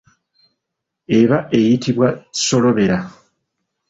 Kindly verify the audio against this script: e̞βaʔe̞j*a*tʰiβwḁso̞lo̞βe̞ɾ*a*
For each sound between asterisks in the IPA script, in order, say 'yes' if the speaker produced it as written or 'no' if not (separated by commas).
no, yes